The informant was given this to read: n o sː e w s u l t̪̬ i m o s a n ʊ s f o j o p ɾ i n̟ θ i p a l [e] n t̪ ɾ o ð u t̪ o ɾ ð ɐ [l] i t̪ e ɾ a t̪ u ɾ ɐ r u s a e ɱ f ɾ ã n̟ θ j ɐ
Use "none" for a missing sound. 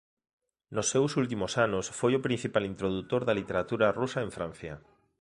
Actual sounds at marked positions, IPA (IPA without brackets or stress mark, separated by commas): i, l